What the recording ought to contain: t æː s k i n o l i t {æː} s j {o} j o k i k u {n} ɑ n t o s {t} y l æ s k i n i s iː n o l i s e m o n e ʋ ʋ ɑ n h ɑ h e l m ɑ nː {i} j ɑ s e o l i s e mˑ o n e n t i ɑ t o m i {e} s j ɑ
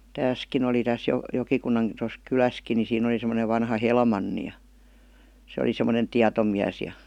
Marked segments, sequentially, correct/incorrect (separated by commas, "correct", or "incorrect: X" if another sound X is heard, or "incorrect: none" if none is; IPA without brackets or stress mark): incorrect: æ, correct, incorrect: nː, incorrect: k, correct, incorrect: æ